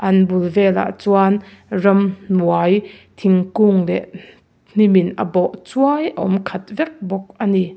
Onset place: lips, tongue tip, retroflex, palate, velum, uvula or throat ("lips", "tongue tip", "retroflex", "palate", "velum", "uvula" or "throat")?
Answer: throat